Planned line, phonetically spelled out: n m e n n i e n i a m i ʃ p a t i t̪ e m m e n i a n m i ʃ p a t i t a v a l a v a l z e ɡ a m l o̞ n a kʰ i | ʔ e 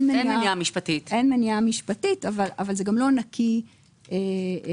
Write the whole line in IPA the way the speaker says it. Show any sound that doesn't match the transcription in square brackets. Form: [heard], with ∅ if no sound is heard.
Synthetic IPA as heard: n m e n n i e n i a m i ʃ p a t i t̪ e [n] m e n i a [∅] m i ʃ p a t i t a v a l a v a l z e ɡ a m l o̞ n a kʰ i | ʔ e